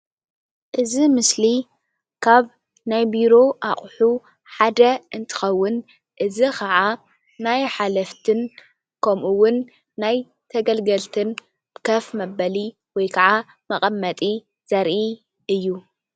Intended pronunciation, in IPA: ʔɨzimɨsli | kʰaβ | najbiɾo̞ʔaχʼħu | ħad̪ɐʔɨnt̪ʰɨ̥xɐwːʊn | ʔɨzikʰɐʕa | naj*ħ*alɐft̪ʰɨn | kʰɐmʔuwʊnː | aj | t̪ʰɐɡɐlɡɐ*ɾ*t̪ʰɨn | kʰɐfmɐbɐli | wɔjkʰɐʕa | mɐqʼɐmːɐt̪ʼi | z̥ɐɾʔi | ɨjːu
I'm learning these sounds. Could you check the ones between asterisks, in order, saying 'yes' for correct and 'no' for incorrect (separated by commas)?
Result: yes, no